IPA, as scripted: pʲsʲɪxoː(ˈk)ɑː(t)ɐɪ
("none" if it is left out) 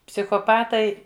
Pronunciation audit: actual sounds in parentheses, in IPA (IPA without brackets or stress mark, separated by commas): p, t